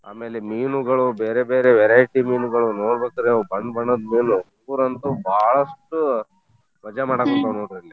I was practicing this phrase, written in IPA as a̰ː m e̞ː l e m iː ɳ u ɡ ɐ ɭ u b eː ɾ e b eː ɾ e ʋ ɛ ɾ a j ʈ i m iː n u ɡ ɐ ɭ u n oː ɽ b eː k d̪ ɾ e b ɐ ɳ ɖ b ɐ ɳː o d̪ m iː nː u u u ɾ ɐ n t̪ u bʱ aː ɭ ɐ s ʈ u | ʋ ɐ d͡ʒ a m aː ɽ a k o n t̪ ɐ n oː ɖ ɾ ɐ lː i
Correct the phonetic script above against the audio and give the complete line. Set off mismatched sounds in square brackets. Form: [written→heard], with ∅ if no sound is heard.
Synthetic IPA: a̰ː m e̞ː l e m iː [ɳ→n] u ɡ ɐ ɭ u b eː ɾ e b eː ɾ e ʋ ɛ ɾ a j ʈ i m iː n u ɡ ɐ ɭ u n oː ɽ b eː k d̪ ɾ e b ɐ ɳ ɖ b ɐ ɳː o d̪ m iː [nː→n] u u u ɾ ɐ n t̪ u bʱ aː ɭ ɐ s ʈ u | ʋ ɐ d͡ʒ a m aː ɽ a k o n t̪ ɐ n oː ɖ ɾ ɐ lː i